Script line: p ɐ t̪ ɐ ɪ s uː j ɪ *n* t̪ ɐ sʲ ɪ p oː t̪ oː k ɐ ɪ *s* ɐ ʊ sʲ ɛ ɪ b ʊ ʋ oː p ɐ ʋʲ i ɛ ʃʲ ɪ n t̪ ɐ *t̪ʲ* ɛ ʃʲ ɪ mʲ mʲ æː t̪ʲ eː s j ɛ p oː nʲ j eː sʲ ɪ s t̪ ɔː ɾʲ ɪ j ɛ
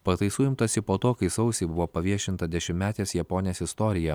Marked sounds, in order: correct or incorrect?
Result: incorrect, correct, incorrect

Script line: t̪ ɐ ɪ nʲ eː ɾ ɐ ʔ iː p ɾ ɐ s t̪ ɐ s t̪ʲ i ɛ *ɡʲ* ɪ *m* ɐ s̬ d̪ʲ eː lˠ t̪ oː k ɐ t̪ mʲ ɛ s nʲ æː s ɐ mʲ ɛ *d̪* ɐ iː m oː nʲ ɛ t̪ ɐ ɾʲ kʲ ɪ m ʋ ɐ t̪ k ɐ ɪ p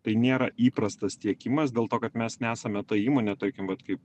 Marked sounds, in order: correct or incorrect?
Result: incorrect, correct, incorrect

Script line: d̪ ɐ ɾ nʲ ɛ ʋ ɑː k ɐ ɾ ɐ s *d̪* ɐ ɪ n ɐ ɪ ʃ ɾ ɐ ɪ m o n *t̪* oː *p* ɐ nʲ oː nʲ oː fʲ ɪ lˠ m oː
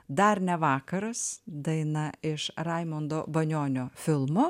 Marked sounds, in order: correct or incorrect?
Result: correct, incorrect, incorrect

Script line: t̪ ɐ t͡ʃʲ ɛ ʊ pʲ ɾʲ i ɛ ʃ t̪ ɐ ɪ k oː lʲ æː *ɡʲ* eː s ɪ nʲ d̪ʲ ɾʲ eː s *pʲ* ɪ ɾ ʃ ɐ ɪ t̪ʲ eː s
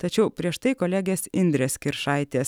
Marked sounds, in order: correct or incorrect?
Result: correct, incorrect

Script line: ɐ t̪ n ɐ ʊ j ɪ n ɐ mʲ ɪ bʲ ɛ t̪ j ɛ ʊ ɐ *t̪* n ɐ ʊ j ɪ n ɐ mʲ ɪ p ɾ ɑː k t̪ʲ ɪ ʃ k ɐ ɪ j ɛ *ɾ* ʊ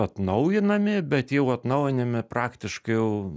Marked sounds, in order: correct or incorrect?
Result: correct, incorrect

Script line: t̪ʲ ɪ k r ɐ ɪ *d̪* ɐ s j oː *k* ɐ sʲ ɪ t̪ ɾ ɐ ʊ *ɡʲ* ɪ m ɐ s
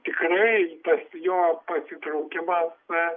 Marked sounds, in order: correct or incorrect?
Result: incorrect, incorrect, incorrect

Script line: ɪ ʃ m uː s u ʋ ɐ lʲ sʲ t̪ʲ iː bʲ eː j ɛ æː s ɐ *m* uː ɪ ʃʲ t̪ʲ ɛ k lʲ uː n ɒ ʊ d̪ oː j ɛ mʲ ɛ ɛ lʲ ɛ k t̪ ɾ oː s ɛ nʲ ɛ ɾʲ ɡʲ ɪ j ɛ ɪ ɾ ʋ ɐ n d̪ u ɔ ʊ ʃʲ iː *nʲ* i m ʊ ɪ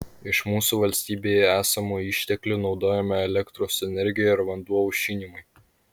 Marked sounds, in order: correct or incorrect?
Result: correct, correct

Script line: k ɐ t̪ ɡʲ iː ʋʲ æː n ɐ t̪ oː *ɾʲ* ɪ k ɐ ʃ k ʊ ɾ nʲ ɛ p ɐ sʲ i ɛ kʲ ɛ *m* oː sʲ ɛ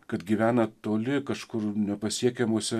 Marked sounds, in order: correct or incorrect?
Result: incorrect, correct

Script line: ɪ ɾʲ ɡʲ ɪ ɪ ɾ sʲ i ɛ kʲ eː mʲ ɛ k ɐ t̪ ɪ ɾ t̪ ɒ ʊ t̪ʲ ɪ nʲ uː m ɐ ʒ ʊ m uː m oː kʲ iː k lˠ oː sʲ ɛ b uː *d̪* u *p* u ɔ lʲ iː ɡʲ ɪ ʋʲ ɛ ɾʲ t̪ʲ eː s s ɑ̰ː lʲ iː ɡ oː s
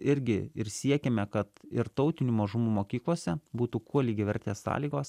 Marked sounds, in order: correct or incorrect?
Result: incorrect, incorrect

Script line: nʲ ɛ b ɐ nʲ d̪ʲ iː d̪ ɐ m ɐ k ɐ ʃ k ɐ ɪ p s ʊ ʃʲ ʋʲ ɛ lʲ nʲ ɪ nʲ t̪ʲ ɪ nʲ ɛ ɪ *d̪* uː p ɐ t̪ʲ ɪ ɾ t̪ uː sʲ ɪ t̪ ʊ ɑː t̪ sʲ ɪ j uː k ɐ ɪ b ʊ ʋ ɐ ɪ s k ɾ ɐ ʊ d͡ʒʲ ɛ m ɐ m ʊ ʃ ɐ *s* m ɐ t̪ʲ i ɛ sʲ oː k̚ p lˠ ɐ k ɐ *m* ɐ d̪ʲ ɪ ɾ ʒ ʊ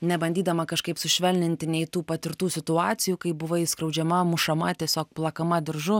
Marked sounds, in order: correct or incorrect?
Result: incorrect, incorrect, correct

